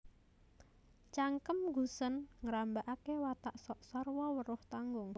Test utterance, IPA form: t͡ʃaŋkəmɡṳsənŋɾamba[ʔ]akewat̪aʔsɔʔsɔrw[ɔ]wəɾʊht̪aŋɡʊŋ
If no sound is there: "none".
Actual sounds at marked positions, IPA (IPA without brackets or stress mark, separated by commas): ʔ, ɔ